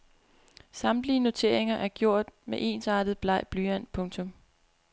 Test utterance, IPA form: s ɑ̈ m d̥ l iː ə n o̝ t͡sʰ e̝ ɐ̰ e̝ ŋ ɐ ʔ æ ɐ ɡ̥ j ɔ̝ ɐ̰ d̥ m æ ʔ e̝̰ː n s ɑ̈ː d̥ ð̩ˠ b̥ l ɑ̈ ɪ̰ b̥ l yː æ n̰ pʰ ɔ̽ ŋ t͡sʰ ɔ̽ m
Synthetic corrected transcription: s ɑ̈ m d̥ l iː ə n o̝ t͡sʰ e̝ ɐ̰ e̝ ŋ ɐ ʔ æ ɐ ɡ̥ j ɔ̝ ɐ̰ d̥ m e ʔ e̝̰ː n s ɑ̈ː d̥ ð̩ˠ b̥ l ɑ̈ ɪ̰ b̥ l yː æ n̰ pʰ ɔ̽ ŋ t͡sʰ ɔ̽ m

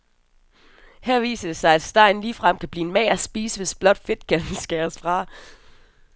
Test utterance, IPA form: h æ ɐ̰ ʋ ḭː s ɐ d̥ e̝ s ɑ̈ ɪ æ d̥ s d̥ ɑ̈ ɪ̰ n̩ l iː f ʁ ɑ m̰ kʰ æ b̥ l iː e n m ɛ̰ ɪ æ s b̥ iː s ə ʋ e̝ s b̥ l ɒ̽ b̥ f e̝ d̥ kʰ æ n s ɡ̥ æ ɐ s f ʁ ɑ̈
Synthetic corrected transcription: h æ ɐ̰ ʋ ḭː s ɐ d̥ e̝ s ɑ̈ ɪ æ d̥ s d̥ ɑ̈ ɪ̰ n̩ l iː f ʁ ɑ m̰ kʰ æ b̥ l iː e n m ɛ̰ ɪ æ s b̥ iː s ə ʋ e̝ s b̥ l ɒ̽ d̥ f e̝ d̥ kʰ æ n s ɡ̥ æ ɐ s f ʁ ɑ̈

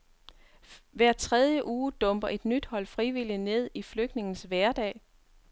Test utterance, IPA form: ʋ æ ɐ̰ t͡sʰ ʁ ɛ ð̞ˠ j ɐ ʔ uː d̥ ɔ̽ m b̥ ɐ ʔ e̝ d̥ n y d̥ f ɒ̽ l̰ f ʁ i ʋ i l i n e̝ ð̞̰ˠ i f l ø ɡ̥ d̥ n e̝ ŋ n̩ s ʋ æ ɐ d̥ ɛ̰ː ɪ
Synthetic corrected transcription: ʋ æ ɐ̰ t͡sʰ ʁ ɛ ð̞ˠ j ə ʔ uː d̥ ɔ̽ m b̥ ɐ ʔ e̝ d̥ n y d̥ h ɒ̽ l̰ f ʁ i ʋ i l i n e̝ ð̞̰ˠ i f l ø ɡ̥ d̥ n e̝ ŋ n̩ s ʋ æ ɐ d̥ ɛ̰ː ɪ

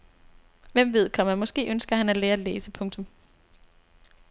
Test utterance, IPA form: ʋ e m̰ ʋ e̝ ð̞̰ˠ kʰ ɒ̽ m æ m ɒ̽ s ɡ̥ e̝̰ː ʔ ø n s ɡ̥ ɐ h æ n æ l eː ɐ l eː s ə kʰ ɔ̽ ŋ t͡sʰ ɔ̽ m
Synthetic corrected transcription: ʋ e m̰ ʋ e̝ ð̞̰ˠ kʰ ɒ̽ m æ m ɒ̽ s ɡ̥ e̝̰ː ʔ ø n s ɡ̥ ɐ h æ n æ l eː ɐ l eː s ə pʰ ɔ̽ ŋ t͡sʰ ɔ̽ m

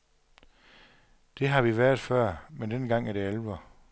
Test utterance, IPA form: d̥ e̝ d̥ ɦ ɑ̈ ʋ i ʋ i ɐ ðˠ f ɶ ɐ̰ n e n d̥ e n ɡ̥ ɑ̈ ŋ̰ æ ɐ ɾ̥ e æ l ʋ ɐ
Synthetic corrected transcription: d̥ e̝ ɦ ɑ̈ ʋ i ʋ æ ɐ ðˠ f ɶ ɐ̰ m e n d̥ e n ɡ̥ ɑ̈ ŋ̰ æ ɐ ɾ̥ e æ l ʋ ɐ

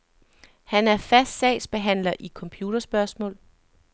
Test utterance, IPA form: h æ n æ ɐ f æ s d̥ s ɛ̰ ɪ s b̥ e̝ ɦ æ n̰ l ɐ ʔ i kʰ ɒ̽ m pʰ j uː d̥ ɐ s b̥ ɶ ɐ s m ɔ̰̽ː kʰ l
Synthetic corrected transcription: h æ n æ ɐ f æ s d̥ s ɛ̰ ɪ s b̥ e̝ ɦ æ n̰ l ɐ ʔ i kʰ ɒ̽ m pʰ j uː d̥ ɐ s b̥ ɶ ɐ s m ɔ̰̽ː l

